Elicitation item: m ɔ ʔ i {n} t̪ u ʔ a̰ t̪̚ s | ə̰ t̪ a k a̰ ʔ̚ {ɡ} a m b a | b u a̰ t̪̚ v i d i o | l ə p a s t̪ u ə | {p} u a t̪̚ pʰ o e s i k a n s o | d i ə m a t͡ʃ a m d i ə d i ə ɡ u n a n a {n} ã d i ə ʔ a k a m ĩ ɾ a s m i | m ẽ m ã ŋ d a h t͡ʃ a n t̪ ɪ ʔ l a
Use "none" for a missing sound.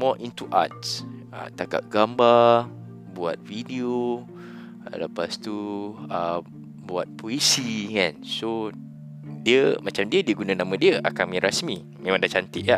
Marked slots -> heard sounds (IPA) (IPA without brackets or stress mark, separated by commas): n, ɡ, b, m